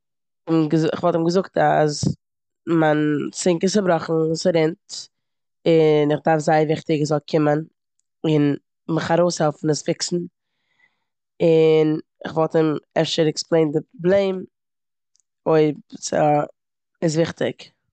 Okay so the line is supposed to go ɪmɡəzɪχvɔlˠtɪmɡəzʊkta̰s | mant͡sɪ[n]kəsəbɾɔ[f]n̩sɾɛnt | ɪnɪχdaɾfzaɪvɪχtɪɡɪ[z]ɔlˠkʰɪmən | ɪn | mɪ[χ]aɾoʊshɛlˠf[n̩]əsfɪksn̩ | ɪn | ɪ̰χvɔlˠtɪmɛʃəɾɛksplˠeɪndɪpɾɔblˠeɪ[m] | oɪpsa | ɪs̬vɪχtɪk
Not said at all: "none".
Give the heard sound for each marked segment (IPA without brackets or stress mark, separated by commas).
ŋ, χ, z, χ, n̩, m